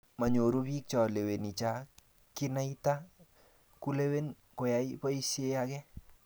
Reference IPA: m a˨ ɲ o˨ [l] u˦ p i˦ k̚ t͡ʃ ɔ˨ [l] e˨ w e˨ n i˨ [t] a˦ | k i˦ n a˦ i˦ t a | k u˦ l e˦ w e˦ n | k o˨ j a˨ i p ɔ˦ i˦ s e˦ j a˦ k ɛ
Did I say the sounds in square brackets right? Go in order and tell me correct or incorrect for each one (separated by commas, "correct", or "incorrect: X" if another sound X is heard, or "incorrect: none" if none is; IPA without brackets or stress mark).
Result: incorrect: ɾ, correct, incorrect: t͡ʃ